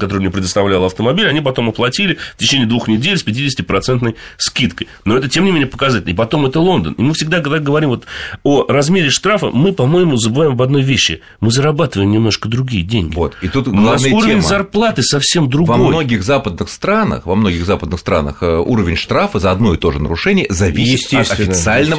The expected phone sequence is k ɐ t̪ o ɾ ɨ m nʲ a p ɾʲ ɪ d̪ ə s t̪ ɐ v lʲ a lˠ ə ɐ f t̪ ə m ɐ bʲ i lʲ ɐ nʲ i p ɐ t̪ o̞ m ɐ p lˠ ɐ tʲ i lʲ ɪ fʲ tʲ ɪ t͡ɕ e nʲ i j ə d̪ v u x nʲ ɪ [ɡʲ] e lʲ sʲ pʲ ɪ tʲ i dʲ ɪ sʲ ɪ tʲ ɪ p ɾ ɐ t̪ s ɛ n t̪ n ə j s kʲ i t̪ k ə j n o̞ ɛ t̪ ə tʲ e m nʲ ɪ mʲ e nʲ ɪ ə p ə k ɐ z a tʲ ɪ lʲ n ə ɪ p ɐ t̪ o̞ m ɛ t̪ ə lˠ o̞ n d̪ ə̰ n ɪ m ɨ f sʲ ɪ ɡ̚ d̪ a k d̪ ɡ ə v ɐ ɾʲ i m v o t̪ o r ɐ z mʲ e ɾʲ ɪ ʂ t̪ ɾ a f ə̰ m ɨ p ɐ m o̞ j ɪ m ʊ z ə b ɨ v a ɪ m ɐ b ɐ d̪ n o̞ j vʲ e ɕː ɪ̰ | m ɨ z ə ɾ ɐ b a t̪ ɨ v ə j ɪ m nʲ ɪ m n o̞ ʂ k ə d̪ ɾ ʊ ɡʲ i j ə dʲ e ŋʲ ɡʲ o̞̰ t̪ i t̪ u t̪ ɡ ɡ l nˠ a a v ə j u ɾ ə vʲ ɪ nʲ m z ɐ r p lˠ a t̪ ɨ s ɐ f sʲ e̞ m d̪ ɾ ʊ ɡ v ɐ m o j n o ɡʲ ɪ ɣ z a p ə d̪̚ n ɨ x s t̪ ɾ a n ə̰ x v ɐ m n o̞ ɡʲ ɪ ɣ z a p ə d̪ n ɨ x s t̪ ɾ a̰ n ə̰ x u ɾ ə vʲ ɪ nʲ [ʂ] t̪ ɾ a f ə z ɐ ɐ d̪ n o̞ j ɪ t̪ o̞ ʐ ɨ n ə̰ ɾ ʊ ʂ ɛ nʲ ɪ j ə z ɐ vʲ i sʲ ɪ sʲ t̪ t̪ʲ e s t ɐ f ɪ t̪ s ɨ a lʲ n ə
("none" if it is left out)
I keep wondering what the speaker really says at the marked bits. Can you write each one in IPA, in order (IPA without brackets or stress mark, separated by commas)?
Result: dʲ, ʂ